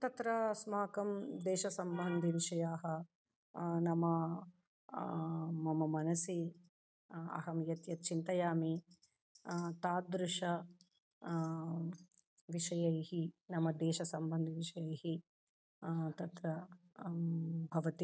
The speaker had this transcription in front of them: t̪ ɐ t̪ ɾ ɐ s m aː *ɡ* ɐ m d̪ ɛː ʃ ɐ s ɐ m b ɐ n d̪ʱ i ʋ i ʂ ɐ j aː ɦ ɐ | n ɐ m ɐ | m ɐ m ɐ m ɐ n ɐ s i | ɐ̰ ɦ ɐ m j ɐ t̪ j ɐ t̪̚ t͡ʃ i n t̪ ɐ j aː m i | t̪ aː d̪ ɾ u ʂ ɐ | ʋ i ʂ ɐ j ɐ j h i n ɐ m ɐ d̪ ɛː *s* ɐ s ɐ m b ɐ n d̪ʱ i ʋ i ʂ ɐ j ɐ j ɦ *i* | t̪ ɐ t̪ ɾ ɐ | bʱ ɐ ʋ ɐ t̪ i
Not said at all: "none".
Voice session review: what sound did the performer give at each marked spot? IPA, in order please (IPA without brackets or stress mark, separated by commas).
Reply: k, ʃ, i